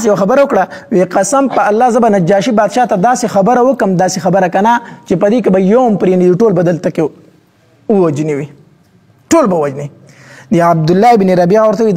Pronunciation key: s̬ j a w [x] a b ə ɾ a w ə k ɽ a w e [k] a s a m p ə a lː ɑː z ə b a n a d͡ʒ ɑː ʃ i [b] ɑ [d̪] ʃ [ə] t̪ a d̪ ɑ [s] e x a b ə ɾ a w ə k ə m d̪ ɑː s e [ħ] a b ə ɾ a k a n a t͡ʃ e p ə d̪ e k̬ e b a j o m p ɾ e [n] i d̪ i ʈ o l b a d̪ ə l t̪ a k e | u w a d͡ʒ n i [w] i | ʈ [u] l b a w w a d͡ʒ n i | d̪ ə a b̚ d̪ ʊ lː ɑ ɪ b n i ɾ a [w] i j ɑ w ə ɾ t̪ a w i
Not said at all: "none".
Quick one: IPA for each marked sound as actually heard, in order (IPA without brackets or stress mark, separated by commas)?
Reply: x, q, b, d̪, ɑ, s, x, n, w, o, b